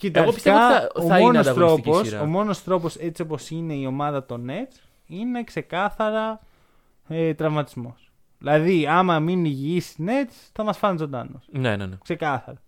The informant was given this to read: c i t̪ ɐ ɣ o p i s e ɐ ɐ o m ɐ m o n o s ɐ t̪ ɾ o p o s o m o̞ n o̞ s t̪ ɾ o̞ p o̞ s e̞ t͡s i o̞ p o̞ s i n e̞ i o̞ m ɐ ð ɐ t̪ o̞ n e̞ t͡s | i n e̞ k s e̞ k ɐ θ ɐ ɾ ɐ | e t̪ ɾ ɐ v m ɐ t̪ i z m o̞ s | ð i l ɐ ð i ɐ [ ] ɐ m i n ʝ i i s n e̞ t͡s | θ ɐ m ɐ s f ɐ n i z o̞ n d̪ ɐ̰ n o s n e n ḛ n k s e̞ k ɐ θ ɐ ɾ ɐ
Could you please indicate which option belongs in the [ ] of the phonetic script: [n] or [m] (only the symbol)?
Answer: m